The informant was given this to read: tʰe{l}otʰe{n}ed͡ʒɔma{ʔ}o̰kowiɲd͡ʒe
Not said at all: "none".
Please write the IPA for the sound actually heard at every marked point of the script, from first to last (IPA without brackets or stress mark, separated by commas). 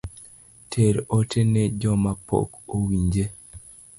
ɾ, n, p